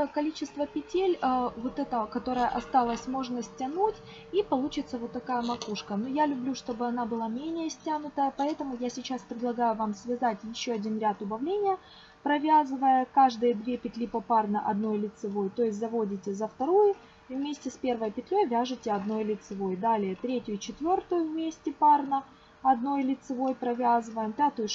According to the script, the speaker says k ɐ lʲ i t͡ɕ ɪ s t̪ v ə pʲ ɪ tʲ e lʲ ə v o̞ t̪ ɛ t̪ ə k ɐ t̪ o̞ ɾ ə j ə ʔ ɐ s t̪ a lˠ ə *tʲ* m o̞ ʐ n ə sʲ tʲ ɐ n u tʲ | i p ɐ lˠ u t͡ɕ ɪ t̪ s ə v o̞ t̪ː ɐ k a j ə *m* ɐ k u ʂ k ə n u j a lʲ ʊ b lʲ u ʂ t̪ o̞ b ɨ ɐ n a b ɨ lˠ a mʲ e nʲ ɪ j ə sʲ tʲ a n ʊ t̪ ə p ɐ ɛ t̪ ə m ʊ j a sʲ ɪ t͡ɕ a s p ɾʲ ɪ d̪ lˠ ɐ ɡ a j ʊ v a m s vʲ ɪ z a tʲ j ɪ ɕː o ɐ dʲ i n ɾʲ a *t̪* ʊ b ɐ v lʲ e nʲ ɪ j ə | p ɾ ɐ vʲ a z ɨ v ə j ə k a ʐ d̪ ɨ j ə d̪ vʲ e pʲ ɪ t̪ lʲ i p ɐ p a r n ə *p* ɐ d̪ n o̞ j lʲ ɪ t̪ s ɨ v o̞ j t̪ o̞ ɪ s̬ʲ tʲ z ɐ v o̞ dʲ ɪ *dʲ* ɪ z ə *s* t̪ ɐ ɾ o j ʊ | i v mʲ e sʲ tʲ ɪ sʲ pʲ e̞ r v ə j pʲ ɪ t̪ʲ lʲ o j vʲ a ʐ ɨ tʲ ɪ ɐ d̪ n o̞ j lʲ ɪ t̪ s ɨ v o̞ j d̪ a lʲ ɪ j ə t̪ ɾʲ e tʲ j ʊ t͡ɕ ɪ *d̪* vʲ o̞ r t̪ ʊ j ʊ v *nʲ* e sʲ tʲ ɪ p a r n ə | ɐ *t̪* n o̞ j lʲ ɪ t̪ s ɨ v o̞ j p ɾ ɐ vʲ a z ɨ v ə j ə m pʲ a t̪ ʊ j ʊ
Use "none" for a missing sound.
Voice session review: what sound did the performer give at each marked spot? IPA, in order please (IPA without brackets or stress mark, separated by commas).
sʲ, m, t̪, ʔ, tʲ, f, t̪, mʲ, d̪